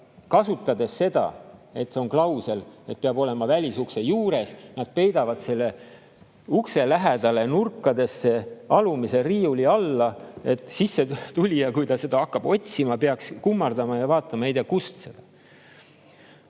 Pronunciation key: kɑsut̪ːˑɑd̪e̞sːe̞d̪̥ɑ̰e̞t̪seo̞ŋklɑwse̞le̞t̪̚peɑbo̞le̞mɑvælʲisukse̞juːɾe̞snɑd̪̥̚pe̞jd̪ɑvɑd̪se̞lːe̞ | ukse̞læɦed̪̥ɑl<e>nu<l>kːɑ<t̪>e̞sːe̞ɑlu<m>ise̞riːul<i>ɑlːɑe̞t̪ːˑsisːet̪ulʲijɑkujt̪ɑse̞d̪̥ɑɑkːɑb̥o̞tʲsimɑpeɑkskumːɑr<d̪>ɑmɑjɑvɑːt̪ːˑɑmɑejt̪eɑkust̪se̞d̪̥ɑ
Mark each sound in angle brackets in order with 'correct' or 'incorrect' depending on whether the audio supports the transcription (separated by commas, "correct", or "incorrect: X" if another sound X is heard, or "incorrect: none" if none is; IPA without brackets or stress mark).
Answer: correct, incorrect: r, incorrect: d̪, correct, correct, correct